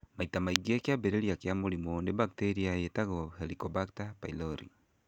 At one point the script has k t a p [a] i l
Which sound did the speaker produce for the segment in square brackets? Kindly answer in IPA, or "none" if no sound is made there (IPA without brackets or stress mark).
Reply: a